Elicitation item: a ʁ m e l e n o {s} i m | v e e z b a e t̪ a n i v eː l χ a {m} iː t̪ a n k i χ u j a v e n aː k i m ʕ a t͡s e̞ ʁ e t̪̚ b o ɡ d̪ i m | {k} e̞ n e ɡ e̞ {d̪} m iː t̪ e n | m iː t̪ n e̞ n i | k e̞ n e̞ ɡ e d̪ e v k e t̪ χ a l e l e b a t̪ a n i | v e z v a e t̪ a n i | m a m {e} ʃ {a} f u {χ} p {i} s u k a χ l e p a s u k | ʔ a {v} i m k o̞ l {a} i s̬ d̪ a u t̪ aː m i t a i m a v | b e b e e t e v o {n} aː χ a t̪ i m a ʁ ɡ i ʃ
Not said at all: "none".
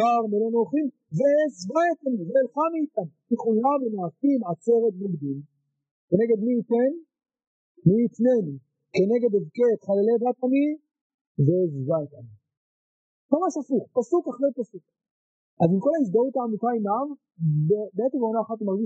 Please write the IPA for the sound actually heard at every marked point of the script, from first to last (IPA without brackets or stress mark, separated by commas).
χ, m, k, d̪, a, a, χ, a, z, a, n